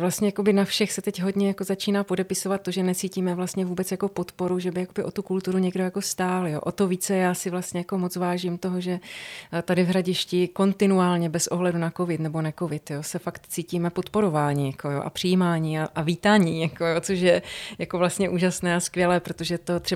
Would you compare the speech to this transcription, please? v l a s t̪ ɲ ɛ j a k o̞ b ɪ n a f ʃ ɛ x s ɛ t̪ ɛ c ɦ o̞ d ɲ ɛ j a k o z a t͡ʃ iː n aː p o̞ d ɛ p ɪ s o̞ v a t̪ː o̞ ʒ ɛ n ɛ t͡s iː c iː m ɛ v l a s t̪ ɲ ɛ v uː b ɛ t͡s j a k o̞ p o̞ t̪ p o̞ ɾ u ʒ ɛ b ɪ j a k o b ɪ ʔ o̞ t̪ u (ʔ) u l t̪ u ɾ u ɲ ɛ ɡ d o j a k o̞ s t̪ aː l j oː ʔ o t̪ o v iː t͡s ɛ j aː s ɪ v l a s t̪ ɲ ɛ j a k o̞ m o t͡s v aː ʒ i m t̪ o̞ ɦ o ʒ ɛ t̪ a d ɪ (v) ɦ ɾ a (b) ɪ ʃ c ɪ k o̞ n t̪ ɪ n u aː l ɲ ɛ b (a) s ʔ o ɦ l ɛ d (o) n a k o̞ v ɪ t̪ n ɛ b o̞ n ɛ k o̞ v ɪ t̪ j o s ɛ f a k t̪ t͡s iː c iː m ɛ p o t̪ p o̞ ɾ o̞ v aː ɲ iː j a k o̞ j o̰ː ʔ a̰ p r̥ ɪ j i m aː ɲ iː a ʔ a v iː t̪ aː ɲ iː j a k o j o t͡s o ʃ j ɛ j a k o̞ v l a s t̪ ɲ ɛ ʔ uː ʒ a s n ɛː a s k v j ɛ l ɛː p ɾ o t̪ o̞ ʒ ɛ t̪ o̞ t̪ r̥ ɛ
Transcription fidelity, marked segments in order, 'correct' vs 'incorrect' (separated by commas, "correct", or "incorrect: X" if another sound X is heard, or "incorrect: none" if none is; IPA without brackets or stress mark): incorrect: k, correct, incorrect: ɟ, incorrect: ɛ, incorrect: u